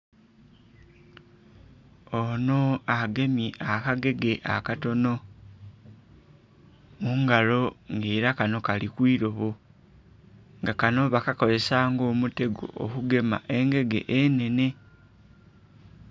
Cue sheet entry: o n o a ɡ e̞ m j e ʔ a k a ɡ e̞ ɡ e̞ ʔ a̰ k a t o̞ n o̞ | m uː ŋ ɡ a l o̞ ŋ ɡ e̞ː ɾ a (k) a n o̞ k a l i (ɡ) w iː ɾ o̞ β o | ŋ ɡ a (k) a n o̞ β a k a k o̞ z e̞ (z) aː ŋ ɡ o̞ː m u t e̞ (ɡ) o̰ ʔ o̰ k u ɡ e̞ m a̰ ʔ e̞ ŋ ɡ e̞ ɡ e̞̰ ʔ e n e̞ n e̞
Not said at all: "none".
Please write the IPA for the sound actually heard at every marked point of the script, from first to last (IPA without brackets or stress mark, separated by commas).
k, k, k, s, ɡ